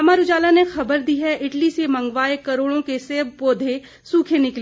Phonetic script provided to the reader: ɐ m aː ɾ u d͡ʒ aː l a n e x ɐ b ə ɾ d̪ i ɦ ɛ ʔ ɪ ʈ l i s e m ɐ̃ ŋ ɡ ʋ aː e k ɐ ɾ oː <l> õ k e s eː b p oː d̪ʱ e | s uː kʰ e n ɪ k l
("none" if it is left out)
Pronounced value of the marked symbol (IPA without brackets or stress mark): ɽ